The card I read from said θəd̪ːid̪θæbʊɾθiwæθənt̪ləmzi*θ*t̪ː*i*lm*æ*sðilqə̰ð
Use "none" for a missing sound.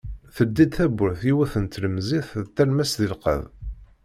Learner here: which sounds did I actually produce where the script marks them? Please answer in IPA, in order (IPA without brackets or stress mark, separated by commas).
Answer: θ, æ, æ